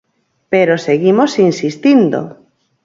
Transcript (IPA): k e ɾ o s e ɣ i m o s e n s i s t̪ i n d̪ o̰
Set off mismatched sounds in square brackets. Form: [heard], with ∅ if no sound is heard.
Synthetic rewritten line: [p] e ɾ o s e ɣ i m o s [i] n s i s t̪ i n d̪ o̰